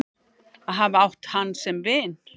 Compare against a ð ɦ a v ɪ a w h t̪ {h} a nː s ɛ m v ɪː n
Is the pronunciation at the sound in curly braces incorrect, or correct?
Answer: correct